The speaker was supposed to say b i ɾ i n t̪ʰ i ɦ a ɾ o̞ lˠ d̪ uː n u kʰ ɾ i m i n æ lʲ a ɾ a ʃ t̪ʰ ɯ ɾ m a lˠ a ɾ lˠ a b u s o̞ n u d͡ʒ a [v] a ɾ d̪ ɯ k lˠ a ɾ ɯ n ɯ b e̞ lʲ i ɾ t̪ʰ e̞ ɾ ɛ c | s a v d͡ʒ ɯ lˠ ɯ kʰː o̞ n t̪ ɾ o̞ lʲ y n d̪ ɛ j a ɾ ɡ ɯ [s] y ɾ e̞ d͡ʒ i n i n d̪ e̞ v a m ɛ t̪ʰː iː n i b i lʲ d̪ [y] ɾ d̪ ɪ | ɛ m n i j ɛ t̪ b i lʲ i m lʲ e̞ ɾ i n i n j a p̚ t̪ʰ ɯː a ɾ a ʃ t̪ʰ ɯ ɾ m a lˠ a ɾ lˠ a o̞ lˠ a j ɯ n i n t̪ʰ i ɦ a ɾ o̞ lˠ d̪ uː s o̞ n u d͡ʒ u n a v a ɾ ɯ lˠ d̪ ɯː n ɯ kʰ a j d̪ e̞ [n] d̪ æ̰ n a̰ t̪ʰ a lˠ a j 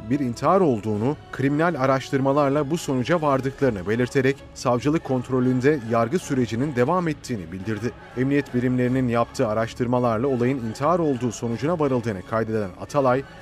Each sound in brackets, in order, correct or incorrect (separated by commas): correct, correct, incorrect, incorrect